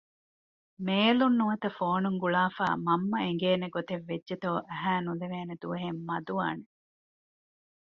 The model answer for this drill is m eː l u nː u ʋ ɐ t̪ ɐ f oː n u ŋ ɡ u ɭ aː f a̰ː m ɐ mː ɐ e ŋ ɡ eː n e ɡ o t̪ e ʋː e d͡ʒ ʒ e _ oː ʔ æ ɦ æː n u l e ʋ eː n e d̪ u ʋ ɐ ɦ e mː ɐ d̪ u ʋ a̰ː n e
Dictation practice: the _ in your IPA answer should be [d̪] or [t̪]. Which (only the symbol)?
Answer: t̪